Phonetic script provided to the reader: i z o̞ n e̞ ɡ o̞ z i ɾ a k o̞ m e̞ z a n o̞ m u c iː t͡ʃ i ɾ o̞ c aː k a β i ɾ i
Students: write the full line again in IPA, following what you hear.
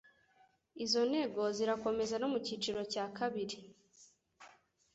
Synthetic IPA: i z o̞ n e̞ ɡ o̞ z i ɾ a k o̞ m e̞ z a n o̞ m u c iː t͡ʃ i ɾ o̞ c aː k a β i ɾ i

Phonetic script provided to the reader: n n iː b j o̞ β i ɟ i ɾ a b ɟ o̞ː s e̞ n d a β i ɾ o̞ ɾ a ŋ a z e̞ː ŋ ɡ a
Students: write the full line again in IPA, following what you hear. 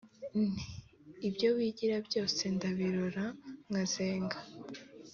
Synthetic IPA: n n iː b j o̞ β i ɟ i ɾ a b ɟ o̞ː s e̞ n d a β i ɾ o̞ ɾ a ŋ a z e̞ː ŋ ɡ a

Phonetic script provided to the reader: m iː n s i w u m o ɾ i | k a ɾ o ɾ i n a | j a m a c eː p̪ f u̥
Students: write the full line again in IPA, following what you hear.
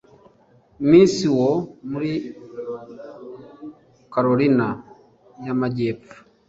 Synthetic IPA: m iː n s i w o m u ɾ i | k a ɾ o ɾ i n a | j a m a ɟ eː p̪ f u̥

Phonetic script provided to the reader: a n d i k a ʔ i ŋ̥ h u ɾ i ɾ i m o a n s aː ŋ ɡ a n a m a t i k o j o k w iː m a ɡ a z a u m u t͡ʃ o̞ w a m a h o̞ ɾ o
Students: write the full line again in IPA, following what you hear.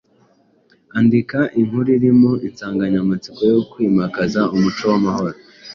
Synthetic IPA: a n d i k a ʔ i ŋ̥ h u ɾ i ɾ i m o i n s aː ŋ ɡ a ɲ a m a t͡s i k o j o k w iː m a k a z a u m u t͡ʃ o̞ w a m a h o̞ ɾ o

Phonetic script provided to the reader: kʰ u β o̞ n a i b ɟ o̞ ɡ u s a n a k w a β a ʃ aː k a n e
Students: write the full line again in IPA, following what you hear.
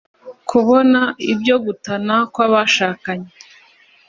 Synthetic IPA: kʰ u β o̞ n a i b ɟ o̞ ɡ u t a n a k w a β a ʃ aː k a ɲ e

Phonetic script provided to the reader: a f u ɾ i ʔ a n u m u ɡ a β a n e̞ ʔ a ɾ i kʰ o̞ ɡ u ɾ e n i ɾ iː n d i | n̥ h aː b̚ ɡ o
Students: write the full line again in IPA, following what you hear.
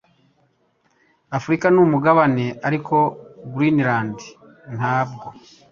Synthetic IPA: a f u ɾ i k a n u m u ɡ a β a n e̞ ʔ a ɾ i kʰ o̞ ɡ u ɾ i n i ɾ aː n d i | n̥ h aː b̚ ɡ o

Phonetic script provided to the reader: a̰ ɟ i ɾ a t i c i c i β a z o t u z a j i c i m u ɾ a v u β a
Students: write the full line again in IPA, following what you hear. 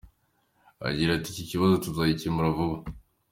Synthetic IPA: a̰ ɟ i ɾ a t i c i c i β a z o t u z a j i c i m u ɾ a v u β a

